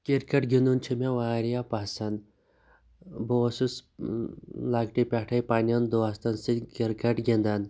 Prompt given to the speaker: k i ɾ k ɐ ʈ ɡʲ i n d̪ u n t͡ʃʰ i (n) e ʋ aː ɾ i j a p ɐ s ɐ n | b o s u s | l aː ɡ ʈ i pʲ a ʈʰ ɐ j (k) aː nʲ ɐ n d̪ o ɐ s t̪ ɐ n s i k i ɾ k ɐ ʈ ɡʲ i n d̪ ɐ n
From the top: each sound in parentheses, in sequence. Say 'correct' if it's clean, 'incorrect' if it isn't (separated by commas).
incorrect, incorrect